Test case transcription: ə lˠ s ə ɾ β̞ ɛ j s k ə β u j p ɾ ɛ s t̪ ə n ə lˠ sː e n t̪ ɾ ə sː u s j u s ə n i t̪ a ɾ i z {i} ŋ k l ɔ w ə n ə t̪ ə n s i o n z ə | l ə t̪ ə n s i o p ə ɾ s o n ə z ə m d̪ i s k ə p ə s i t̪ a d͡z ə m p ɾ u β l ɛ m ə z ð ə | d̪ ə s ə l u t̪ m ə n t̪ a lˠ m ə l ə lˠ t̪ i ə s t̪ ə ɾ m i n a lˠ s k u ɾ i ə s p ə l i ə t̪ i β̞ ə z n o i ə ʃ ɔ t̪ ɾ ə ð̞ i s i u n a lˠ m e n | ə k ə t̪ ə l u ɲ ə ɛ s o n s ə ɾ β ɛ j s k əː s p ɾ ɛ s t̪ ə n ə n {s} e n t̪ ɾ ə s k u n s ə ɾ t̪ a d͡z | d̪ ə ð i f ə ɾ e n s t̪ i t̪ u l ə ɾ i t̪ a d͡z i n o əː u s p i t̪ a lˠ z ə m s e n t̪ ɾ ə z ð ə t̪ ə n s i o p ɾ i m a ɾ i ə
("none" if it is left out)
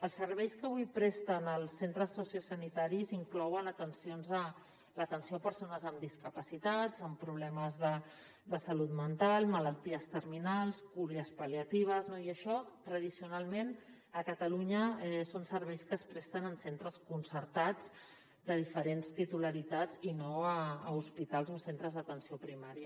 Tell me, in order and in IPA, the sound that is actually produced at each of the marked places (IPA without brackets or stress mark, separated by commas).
i, s